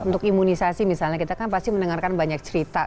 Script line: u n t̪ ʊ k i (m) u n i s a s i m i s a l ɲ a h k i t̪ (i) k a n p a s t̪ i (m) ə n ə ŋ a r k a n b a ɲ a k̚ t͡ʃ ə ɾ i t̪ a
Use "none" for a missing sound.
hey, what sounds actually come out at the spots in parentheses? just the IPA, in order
m, a, m

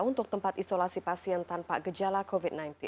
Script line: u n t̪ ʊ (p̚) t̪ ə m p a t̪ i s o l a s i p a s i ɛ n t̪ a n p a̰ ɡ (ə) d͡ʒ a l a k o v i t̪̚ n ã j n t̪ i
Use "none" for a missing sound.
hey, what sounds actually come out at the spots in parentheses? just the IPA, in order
k̚, ə

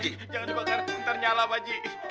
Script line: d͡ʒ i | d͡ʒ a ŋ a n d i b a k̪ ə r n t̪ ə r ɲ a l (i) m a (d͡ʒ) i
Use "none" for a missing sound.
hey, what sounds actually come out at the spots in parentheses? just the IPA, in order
a, d͡ʒ

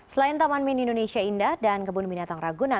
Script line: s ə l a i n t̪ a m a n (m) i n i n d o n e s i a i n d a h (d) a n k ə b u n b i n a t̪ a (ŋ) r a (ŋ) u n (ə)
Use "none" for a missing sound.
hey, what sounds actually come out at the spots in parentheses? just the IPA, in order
m, d, ŋ, ɡ, a

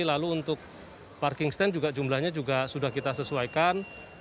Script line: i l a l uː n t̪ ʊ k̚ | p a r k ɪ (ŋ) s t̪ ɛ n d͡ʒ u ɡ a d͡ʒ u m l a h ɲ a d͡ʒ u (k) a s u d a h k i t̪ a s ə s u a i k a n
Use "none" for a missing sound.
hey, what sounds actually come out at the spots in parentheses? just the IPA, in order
ŋ, ɡ

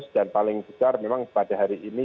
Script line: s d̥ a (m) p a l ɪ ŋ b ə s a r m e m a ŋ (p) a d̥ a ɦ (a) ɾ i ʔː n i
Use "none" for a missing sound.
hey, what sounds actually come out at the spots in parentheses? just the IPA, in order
n, p, a

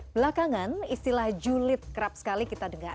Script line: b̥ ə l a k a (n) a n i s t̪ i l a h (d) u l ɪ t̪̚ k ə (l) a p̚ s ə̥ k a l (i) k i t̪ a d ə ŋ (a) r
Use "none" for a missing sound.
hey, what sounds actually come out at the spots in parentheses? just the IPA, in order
ŋ, d͡ʒ, ɾ, i, a

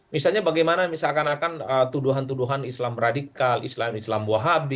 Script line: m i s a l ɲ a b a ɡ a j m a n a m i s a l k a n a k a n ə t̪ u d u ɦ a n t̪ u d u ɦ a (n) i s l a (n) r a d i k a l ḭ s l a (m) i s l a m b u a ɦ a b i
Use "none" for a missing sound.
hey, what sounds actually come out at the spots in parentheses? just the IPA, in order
n, m, m

